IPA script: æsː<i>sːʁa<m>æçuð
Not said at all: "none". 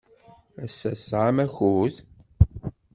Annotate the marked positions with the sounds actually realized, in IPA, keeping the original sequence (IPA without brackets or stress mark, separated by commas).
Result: æ, m